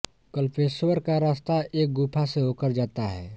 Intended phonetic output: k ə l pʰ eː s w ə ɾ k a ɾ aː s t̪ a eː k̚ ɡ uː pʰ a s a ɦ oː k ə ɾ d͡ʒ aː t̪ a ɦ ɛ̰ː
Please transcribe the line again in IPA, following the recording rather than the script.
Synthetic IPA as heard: k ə l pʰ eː s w ə ɾ k a ɾ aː s t̪ a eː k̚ ɡ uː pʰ a s e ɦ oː k ə ɾ d͡ʒ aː t̪ a ɦ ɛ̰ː